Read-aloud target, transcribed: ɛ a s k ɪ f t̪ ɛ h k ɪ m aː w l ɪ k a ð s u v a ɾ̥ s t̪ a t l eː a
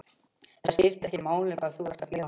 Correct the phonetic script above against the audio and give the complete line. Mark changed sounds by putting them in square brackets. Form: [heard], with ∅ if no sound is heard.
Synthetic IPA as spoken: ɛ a s [c] ɪ f t̪ ɛ h [c] ɪ m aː w l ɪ k a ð [θ] u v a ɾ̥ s t̪ a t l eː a